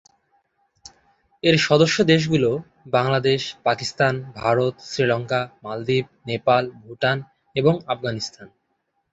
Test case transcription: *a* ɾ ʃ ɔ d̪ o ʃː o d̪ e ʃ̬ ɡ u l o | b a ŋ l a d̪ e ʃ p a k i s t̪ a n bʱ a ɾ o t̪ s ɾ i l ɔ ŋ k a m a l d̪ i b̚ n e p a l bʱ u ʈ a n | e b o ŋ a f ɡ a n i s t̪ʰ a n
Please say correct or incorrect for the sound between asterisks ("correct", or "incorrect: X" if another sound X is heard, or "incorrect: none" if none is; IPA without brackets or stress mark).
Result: incorrect: e